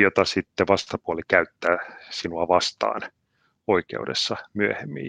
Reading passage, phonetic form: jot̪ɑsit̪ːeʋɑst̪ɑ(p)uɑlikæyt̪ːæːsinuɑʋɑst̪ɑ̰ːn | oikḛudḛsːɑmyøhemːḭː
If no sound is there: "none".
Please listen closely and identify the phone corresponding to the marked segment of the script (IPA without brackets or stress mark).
p